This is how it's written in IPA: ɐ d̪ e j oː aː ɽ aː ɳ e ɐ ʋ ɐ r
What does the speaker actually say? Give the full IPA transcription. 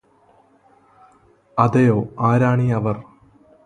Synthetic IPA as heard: ɐ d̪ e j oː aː ɾ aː ɳ i ɐ ʋ ɐ r